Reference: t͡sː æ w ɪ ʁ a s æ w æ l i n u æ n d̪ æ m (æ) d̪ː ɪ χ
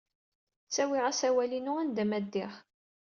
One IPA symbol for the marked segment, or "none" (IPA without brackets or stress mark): æ